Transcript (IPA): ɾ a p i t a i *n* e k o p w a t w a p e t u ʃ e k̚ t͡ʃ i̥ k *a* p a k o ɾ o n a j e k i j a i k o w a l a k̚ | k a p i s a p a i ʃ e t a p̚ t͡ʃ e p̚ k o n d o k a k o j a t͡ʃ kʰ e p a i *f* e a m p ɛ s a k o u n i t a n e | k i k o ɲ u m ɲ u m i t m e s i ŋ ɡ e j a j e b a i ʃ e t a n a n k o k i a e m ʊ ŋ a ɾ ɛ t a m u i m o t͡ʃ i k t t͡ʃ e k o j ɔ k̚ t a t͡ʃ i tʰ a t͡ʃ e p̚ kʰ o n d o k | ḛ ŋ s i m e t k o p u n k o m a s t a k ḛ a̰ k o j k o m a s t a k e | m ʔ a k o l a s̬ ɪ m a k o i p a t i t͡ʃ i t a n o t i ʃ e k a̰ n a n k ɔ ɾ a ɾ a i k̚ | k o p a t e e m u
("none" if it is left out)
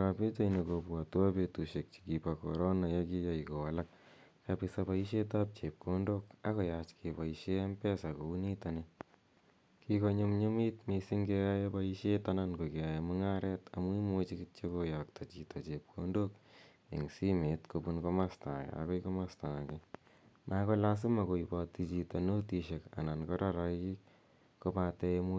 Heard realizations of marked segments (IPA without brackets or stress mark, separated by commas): n, i, ʃ